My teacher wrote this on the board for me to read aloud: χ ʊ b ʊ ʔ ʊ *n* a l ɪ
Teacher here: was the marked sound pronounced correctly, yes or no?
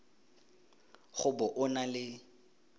yes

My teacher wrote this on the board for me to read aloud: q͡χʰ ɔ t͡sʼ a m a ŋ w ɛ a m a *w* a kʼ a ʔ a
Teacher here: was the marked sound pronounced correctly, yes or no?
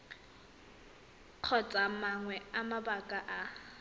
no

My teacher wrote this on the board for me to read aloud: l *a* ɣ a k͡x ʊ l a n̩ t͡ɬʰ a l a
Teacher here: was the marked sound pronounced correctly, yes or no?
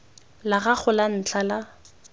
yes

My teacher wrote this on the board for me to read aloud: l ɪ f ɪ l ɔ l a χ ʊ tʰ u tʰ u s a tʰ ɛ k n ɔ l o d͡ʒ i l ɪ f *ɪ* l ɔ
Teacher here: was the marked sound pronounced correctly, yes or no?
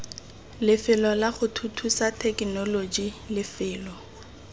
no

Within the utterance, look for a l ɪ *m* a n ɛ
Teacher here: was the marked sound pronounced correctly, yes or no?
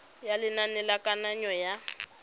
no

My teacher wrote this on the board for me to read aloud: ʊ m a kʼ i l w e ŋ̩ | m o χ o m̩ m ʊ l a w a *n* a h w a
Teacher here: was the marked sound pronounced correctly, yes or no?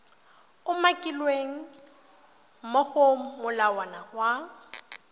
yes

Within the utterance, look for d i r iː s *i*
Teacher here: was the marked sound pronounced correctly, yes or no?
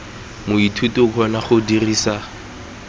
no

